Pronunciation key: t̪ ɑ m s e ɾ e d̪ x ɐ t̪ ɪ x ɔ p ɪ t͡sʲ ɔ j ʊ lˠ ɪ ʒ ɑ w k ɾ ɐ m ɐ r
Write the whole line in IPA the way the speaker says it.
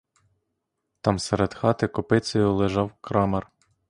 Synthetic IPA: t̪ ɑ m s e ɾ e d̪ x ɑ t̪ ɪ k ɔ p ɪ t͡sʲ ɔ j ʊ lˠ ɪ ʒ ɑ w k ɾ ɑ m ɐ r